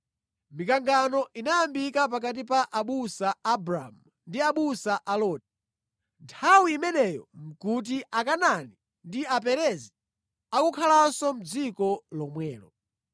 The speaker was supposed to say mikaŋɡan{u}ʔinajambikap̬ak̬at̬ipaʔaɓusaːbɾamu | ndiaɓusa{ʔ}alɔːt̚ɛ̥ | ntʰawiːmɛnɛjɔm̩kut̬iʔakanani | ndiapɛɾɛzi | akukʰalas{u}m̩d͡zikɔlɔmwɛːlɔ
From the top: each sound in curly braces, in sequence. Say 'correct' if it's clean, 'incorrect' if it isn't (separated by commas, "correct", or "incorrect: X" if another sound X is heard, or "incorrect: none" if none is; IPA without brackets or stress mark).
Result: incorrect: ɔ, correct, incorrect: ɔ